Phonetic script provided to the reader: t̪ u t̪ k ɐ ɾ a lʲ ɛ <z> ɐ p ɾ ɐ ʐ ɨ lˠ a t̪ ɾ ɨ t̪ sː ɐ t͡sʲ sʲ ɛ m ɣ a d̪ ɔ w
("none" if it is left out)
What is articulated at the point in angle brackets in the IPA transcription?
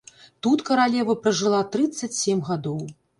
v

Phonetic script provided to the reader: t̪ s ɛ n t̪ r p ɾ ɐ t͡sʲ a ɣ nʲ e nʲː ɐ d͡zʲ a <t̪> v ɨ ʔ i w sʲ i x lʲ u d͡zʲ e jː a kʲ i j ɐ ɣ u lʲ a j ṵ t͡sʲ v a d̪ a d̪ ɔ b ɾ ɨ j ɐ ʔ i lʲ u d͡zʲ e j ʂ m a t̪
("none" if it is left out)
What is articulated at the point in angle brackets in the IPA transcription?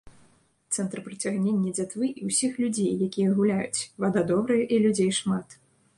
t̪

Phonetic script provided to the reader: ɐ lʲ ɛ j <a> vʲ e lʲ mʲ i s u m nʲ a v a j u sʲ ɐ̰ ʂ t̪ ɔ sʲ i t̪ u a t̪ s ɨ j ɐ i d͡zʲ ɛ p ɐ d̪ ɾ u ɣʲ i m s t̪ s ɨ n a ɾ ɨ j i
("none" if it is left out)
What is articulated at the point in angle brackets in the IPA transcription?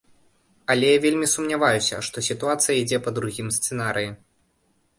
a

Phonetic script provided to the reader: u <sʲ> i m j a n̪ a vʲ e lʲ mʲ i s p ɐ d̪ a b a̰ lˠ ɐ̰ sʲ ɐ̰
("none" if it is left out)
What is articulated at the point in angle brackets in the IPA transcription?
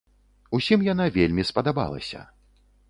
sʲ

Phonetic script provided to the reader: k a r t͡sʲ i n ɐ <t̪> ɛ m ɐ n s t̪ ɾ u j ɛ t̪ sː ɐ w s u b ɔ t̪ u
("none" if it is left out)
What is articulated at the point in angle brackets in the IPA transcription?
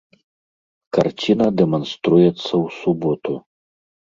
d̪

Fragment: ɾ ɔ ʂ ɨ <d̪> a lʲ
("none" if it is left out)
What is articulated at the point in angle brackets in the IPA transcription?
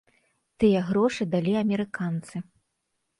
d̪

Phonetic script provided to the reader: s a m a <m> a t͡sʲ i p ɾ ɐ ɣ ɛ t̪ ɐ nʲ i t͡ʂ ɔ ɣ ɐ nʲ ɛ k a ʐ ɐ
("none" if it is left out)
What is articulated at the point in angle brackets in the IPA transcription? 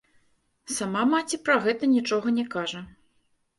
m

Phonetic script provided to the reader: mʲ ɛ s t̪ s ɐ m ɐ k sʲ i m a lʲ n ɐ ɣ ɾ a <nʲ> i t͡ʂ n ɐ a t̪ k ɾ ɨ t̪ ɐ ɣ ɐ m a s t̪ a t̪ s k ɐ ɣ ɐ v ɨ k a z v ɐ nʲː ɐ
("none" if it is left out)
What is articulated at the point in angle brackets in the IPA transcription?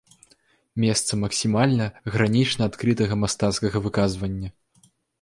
nʲ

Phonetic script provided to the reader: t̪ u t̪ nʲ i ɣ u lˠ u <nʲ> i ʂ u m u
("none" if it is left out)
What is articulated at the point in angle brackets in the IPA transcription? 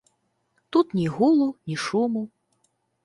nʲ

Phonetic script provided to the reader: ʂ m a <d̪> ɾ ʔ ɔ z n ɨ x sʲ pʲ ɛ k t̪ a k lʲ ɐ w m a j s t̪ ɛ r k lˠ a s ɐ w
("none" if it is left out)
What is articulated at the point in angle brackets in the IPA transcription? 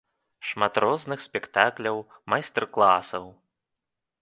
t̪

